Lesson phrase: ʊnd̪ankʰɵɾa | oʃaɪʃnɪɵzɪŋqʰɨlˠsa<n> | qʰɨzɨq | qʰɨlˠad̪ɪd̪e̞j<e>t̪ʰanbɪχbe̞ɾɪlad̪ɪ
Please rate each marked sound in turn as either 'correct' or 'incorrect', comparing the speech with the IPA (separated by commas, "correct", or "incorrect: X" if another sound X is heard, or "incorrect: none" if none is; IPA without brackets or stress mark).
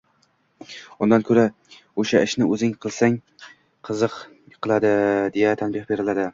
incorrect: ŋ, incorrect: a